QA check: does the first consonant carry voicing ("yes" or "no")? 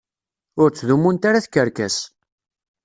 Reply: yes